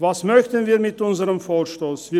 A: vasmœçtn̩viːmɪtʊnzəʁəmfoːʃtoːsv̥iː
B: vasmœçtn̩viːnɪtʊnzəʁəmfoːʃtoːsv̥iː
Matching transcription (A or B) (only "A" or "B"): A